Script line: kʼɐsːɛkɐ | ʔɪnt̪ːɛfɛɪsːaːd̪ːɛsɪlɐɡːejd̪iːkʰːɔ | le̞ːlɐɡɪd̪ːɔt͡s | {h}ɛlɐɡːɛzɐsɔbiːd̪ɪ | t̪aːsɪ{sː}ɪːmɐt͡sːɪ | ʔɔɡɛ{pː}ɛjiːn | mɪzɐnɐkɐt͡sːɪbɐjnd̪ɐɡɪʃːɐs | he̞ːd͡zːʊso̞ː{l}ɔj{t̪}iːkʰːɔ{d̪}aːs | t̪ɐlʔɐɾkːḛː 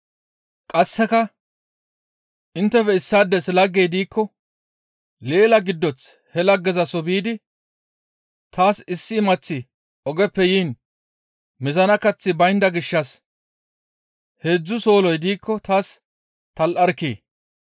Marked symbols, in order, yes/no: yes, yes, yes, yes, no, no

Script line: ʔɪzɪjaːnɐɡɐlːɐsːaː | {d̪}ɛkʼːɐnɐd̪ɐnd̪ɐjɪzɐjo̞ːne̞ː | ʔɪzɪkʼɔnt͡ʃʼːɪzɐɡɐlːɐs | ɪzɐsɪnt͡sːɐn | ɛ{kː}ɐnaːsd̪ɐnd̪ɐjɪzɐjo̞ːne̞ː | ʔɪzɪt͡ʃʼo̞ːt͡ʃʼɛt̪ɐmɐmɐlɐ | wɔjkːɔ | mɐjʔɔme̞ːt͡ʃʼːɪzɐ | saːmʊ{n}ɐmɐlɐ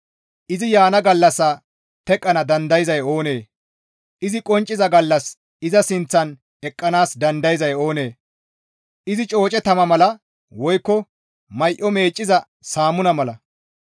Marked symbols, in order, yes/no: no, no, yes

